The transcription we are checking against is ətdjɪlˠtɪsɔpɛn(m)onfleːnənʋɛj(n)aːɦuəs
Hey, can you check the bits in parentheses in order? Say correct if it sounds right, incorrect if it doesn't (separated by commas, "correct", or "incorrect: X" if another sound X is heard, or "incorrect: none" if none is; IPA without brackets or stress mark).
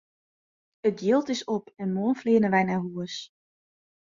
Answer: correct, correct